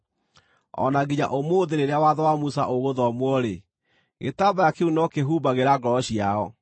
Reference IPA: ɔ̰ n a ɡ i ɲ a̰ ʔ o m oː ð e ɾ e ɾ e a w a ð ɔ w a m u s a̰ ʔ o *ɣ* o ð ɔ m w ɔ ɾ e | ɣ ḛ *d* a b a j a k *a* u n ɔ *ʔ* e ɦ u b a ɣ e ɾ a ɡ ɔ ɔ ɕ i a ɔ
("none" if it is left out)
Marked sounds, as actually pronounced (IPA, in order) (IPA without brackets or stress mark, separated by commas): ɣ, t, e, k